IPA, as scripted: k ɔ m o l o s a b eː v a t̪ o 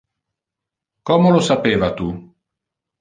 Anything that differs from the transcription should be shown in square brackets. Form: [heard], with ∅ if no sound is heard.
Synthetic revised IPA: k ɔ m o l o s a [p] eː v a t̪ [u]